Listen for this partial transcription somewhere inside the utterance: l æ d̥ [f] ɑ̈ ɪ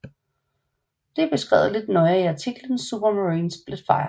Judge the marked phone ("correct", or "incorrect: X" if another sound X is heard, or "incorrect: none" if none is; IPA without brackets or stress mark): correct